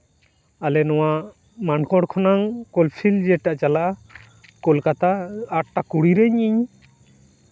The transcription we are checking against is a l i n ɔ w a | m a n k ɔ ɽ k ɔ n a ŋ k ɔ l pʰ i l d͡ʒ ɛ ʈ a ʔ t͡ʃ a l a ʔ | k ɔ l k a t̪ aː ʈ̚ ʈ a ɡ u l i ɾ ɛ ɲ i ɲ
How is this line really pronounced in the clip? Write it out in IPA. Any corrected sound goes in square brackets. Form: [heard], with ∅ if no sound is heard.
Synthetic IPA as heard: a l [ɛ] n ɔ w a | m a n k ɔ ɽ [kʰ] ɔ n a ŋ k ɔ l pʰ i l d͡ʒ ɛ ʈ a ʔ t͡ʃ a l a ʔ | k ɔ l k a t̪ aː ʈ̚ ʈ a [k] u [ɽ] i ɾ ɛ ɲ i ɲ